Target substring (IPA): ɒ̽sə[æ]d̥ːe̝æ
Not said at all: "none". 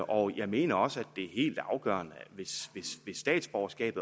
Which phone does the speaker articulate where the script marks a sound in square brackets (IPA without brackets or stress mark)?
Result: æ